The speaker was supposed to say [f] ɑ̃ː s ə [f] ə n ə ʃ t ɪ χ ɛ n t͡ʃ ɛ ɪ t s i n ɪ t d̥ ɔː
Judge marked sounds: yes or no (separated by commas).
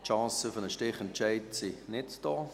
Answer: no, yes